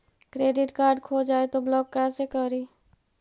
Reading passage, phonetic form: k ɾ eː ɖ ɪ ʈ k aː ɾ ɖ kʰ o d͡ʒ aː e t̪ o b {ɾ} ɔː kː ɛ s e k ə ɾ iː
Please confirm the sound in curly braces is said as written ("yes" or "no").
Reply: no